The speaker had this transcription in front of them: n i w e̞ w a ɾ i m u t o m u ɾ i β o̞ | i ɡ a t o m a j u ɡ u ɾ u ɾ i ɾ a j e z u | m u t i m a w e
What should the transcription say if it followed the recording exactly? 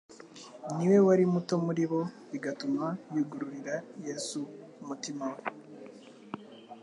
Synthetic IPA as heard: n i w e̞ w a ɾ i m u t o m u ɾ i β o̞ | i ɡ a t u m a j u ɡ u ɾ u ɾ i ɾ a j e s u | m u t i m a w e

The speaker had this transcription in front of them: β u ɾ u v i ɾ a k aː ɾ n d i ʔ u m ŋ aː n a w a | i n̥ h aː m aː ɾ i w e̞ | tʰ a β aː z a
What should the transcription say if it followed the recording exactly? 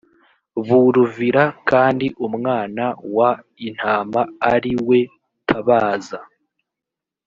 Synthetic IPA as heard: β u ɾ u v i ɾ a k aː n d i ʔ u m ŋ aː n a w a | i n̥ h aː m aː ɾ i w e̞ | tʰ a β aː z a

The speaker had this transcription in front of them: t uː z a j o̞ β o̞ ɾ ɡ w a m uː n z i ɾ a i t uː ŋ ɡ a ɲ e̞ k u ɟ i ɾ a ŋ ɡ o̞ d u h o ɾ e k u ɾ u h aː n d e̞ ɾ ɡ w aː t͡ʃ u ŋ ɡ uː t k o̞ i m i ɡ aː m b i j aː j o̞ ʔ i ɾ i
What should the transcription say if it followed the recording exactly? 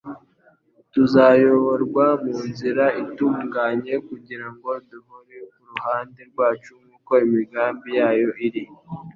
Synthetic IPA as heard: t u z a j o̞ β o̞ ɾ ɡ w a m uː n z i ɾ a i t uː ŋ ɡ a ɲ e̞ k u ɟ i ɾ a ŋ ɡ o̞ d u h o ɾ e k u ɾ u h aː n d e̞ ɾ ɡ w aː t͡ʃ u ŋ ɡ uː k o̞ i m i ɡ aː m b i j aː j o̞ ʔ i ɾ i

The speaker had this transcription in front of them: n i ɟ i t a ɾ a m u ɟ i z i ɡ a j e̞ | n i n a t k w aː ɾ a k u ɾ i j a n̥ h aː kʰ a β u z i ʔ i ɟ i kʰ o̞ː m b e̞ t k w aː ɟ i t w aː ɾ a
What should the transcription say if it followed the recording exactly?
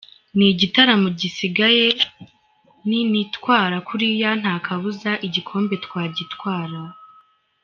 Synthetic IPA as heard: n i ɟ i t a ɾ a m u ɟ i s i ɡ a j e̞ | n i n i t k w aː ɾ a k u ɾ i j a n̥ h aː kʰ a β u z a ʔ i ɟ i kʰ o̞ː m b e̞ t k w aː ɟ i t w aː ɾ a

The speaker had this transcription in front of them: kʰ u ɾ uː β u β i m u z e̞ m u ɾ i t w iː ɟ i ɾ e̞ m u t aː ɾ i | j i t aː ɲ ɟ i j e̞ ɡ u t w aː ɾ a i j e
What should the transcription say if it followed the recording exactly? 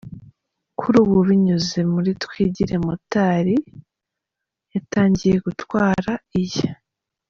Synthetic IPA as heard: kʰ u ɾ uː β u β i ɲ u z e̞ m u ɾ i t w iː ɟ i ɾ e̞ m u t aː ɾ i | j a t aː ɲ ɟ i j e̞ ɡ u t w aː ɾ a i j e

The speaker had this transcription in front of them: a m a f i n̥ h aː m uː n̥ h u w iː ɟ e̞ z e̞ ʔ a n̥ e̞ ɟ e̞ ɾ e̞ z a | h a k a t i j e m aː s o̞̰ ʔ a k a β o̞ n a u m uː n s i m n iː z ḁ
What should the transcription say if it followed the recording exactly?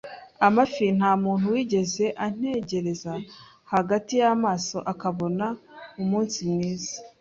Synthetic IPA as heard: a m a f i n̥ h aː m uː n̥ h u w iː ɟ e̞ z e̞ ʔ a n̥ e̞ ɟ e̞ ɾ e̞ z a | h a ɡ a t i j a m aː s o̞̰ ʔ a k a β o̞ n a u m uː n s i m n iː z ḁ

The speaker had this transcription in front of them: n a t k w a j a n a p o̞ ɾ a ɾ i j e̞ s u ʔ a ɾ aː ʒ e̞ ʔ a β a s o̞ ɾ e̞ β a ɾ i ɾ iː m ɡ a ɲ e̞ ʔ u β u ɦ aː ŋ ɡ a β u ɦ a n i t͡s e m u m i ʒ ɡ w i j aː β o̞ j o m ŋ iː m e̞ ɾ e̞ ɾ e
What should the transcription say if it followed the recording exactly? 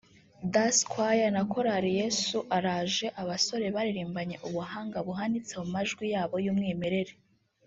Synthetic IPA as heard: d a s k w a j a n a k o̞ ɾ a ɾ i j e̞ s u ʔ a ɾ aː ʒ e̞ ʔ a β a s o̞ ɾ e̞ β a ɾ i ɾ iː m b a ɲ e̞ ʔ u β u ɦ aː ŋ ɡ a β u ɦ a n i t͡s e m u m a ʒ ɡ w i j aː β o̞ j u m ŋ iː m e̞ ɾ e̞ ɾ e

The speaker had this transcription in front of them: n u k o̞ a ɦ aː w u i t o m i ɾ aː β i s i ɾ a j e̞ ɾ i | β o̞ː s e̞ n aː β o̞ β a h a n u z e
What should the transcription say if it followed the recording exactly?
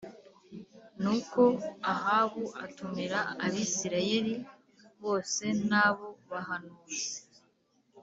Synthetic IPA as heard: n u k o̞ a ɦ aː β u a t u m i ɾ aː β i s i ɾ a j e̞ ɾ i | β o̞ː s e̞ n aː β o̞ β a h a n u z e

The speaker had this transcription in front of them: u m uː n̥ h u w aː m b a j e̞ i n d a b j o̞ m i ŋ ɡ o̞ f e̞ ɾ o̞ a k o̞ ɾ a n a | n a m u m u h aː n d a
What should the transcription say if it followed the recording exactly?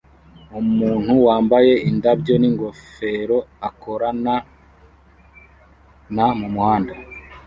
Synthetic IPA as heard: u m uː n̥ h u w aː m b a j e̞ i n d a b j o̞ n i ŋ ɡ o̞ f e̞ ɾ o̞ a k o̞ ɾ a n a | n a m u m u h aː n d a

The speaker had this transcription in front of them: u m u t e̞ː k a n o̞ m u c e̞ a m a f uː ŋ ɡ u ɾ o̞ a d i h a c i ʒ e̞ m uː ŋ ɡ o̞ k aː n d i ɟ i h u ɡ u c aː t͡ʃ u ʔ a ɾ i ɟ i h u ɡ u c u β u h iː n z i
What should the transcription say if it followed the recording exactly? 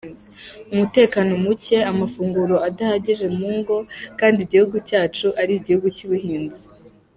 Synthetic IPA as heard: u m u t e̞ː k a n o̞ m u c e̞ a m a f uː ŋ ɡ u ɾ o̞ a d a h a ɟ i ʒ e̞ m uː ŋ ɡ o̞ k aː n d i ɟ i h u ɡ u c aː t͡ʃ u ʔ a ɾ i ɟ i h u ɡ u c u β u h iː n z i

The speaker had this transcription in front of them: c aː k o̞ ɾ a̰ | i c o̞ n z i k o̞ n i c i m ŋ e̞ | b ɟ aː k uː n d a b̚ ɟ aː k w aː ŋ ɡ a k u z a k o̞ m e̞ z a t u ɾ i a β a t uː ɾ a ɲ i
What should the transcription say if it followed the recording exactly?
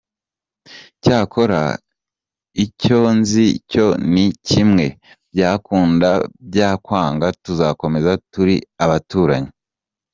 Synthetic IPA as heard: c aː k o̞ ɾ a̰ | i c o̞ n z i c o̞ n i c i m ŋ e̞ | b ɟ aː k uː n d a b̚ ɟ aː k w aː ŋ ɡ a t u z a k o̞ m e̞ z a t u ɾ i a β a t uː ɾ a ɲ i

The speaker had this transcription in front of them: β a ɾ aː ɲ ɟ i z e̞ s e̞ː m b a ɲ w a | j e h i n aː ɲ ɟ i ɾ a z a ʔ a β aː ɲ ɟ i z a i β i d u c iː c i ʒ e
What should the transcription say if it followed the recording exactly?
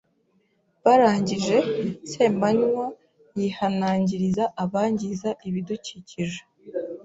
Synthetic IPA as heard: β a ɾ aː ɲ ɟ i ʒ e̞ s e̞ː m b a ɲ w a | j i h a n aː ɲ ɟ i ɾ i z a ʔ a β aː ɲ ɟ i z a i β i d u c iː c i ʒ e

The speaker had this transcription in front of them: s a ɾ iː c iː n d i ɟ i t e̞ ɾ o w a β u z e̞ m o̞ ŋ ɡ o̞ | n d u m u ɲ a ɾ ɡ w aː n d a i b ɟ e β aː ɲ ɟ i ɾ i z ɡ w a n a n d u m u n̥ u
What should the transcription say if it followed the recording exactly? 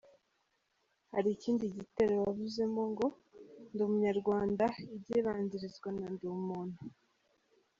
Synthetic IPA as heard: h a ɾ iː c iː n d i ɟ i t e̞ ɾ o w a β u z e̞ m o̞ ŋ ɡ o̞ | n d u m u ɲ a ɾ ɡ w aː n d a i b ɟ e β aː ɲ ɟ i ɾ i z ɡ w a n a n d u m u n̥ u

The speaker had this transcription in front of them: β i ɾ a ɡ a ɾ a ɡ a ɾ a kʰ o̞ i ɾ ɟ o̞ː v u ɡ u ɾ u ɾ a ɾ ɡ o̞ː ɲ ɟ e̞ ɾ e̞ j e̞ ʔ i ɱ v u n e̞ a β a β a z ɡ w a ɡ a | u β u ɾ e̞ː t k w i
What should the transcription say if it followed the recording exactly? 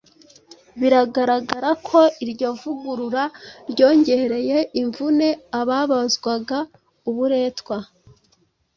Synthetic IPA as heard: β i ɾ a ɡ a ɾ a ɡ a ɾ a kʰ o̞ i ɾ ɟ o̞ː v u ɡ u ɾ u ɾ a ɾ ɟ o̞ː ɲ ɟ e̞ ɾ e̞ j e̞ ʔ i ɱ v u n e̞ a β a β a z ɡ w a ɡ a | u β u ɾ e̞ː t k w a

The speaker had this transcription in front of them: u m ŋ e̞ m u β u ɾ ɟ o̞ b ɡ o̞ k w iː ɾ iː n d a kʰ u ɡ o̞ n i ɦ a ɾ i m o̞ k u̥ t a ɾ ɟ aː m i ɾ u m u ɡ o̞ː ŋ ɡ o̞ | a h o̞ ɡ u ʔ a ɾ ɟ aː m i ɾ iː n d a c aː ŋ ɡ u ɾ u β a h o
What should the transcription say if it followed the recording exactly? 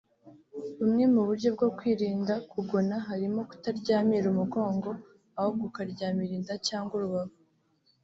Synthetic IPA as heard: u m ŋ e̞ m u β u ɾ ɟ o̞ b ɡ o̞ k w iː ɾ iː n d a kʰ u ɡ o̞ n a ɦ a ɾ i m o̞ k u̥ t a ɾ ɟ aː m i ɾ u m u ɡ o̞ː ŋ ɡ o̞ | a h o̞ ɡ u k a ɾ ɟ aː m i ɾ iː n d a c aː ŋ ɡ u ɾ u β a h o

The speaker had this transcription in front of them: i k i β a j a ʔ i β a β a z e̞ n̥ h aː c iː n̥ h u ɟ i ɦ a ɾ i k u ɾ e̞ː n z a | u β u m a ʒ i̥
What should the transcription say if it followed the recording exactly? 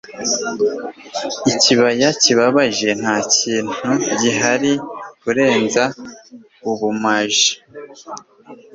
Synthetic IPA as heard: i c i β a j a c i β a β a ʒ e̞ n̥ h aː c iː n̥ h u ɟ i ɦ a ɾ i k u ɾ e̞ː n z a | u β u m a ʒ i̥

